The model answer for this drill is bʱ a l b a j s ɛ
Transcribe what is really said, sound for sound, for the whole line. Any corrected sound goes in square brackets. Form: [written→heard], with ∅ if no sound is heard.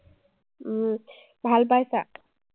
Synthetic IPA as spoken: bʱ a l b a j s [ɛ→a]